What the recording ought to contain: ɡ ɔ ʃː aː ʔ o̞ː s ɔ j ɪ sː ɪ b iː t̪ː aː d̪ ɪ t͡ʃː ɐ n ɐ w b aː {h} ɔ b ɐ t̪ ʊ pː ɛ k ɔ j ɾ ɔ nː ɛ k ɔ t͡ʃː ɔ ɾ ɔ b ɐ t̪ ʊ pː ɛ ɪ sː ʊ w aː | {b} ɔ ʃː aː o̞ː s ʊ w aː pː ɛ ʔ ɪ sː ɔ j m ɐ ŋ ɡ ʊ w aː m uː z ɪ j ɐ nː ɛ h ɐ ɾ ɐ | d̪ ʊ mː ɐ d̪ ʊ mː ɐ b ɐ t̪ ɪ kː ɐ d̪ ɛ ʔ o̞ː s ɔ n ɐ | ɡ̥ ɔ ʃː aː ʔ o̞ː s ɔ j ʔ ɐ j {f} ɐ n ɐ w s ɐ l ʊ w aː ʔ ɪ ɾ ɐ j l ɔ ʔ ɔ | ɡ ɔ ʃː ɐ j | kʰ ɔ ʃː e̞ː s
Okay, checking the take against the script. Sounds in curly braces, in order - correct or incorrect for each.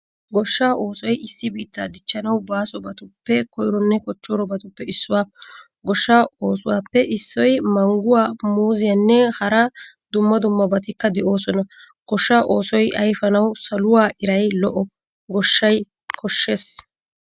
incorrect: s, incorrect: ɡ, correct

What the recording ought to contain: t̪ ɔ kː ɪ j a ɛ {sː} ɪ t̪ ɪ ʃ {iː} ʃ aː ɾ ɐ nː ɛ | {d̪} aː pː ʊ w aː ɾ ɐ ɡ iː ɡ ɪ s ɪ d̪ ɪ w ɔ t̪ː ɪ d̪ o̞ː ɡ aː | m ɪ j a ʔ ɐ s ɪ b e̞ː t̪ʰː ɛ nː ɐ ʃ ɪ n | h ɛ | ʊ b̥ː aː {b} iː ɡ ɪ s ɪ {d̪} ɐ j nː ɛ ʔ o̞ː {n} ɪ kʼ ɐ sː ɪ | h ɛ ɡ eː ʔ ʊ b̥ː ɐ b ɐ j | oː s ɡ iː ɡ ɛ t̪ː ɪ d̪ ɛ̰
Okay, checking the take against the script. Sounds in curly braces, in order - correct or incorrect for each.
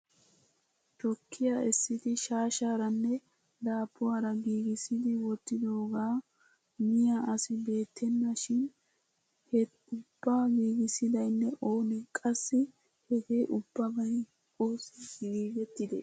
correct, incorrect: aː, correct, incorrect: ɡ, correct, correct

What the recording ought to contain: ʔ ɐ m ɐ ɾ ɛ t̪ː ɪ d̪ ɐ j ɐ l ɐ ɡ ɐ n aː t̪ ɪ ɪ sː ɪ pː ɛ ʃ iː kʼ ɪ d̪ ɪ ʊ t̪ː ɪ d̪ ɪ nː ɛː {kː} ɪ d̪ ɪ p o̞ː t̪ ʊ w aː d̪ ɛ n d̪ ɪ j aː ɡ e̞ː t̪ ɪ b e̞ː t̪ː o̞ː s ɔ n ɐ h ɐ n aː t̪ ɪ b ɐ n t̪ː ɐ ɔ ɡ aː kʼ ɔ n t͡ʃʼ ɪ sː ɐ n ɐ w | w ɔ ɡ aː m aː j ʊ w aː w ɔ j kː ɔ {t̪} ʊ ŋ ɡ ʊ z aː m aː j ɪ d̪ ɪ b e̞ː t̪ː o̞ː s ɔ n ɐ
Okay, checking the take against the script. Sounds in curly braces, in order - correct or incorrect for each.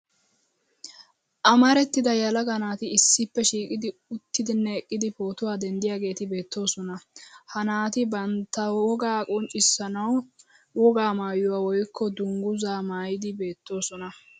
incorrect: kʼː, incorrect: d̪

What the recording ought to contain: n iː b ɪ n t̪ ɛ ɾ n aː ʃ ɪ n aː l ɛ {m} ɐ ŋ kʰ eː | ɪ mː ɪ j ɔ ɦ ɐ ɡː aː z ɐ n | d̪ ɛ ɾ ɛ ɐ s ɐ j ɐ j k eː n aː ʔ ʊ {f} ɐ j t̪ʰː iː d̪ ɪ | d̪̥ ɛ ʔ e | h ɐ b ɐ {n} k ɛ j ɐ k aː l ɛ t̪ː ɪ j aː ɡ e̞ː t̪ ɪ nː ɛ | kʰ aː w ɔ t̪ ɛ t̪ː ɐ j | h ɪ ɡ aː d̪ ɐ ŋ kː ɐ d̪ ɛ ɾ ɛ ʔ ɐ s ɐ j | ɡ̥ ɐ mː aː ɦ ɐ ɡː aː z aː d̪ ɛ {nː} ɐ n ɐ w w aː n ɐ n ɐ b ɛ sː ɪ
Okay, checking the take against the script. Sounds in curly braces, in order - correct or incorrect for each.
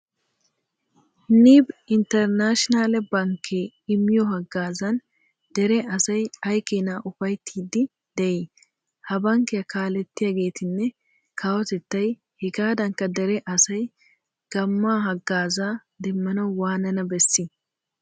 incorrect: b, correct, incorrect: ŋ, incorrect: mː

